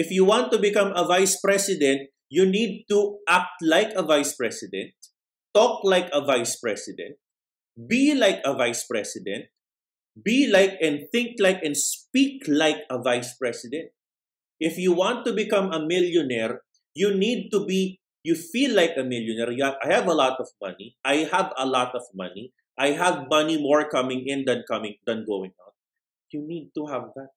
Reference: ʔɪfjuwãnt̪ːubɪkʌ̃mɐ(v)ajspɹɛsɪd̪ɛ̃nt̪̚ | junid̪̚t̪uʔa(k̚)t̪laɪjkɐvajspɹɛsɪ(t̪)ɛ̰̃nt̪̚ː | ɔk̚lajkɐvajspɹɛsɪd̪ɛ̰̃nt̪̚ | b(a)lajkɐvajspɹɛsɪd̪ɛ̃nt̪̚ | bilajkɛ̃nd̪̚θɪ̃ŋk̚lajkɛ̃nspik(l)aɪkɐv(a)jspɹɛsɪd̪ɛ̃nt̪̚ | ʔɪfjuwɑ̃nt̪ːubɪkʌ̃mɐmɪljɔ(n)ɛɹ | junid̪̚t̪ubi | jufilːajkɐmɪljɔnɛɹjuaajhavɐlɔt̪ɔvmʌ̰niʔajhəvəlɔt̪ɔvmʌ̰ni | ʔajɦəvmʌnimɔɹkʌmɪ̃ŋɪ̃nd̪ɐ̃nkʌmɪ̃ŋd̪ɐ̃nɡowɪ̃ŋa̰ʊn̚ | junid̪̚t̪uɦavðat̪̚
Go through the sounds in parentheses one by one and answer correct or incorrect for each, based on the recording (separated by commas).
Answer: correct, correct, incorrect, incorrect, correct, correct, correct